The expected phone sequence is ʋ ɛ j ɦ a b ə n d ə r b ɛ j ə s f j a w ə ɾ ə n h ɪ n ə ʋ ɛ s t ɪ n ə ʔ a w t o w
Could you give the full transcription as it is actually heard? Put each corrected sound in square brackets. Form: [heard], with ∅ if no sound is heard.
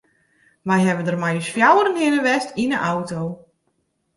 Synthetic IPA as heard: ʋ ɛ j ɦ [ɛ] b ə n d ə r [m] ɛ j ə s f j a w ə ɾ ə n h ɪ n ə ʋ ɛ s t [i] n ə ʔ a w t o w